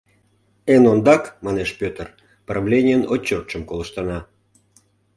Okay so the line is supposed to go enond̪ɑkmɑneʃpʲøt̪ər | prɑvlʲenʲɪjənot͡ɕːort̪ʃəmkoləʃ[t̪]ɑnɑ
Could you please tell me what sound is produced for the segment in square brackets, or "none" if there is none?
t̪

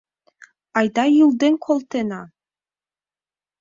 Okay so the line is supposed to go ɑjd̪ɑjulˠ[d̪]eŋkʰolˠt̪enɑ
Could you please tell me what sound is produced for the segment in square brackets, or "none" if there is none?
d̪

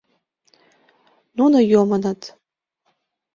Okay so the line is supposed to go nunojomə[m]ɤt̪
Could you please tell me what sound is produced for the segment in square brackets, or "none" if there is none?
n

